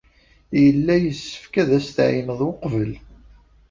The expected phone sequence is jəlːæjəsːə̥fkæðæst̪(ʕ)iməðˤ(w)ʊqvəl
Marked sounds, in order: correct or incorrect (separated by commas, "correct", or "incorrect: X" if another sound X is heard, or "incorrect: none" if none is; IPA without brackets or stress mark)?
correct, correct